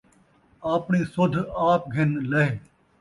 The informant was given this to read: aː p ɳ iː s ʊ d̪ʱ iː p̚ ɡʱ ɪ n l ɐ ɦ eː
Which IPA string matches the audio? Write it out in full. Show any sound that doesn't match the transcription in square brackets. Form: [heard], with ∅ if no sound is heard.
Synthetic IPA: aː p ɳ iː s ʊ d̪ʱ [aː] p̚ ɡʱ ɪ n l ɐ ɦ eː